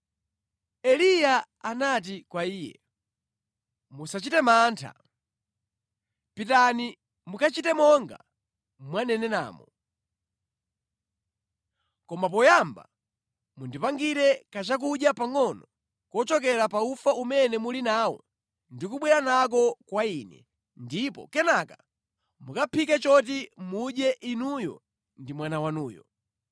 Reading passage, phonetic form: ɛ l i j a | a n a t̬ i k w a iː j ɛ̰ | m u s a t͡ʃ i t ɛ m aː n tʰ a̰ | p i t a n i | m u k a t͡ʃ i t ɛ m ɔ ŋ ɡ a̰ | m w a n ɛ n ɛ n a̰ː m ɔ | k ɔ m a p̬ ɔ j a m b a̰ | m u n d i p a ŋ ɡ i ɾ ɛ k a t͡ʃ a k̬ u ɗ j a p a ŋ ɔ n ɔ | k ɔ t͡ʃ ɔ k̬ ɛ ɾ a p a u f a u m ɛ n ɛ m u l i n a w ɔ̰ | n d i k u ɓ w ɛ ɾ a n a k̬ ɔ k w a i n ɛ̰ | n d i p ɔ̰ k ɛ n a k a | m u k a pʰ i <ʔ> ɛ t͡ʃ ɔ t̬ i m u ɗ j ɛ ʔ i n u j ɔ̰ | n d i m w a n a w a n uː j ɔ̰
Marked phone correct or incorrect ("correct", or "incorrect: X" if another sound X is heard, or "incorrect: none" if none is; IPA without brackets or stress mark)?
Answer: incorrect: k